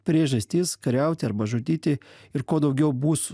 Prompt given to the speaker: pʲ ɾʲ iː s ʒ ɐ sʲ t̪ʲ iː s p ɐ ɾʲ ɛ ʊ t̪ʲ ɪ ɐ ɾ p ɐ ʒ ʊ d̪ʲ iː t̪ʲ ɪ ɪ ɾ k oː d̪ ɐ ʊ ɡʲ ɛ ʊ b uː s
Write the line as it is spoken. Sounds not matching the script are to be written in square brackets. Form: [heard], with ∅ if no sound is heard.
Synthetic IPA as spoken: pʲ ɾʲ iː [∅] ʒ ɐ sʲ t̪ʲ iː s [k] ɐ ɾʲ ɛ ʊ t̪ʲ ɪ ɐ ɾ [b] ɐ ʒ ʊ [t̪ʲ] iː t̪ʲ ɪ ɪ ɾ k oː d̪ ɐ ʊ ɡʲ ɛ ʊ b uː s